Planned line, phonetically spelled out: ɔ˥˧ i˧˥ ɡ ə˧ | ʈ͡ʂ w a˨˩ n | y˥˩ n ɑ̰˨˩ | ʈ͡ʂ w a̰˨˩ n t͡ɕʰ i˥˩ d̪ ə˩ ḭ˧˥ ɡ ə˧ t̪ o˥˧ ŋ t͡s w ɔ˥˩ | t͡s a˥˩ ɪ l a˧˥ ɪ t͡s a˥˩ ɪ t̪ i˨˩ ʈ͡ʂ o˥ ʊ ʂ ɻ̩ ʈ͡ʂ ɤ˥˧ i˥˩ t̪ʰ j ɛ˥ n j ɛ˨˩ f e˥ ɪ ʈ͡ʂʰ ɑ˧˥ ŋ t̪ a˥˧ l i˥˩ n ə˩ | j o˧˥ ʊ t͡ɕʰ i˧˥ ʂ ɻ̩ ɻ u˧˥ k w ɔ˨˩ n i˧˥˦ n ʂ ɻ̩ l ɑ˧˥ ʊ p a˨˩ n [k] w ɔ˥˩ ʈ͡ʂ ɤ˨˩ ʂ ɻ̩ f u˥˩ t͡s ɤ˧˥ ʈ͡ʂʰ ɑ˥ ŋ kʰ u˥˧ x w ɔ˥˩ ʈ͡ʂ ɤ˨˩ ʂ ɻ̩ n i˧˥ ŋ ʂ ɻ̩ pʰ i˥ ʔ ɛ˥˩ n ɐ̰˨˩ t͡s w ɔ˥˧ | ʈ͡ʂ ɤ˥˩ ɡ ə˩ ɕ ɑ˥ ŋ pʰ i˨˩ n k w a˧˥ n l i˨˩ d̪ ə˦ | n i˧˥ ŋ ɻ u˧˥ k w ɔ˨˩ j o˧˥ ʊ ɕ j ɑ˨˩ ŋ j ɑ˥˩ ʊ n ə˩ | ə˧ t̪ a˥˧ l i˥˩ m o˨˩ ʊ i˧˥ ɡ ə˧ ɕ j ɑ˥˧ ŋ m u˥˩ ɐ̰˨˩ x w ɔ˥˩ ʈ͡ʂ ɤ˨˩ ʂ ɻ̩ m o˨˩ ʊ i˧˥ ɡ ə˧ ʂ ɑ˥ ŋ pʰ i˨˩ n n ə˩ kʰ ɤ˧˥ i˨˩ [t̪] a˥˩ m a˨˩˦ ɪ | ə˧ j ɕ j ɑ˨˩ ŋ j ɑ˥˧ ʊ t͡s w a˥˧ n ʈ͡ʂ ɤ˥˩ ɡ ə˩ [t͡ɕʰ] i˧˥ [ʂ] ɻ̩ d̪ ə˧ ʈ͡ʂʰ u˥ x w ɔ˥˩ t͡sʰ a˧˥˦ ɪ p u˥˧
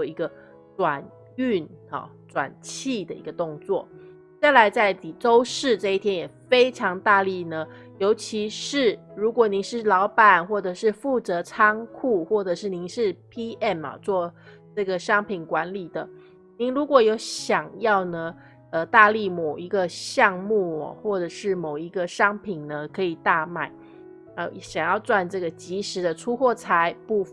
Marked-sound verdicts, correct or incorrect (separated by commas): incorrect, correct, incorrect, correct